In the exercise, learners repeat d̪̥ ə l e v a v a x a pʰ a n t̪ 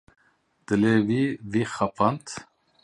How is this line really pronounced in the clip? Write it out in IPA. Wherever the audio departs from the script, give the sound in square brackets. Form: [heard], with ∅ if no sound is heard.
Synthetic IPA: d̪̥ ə l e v [i] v [i] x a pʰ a n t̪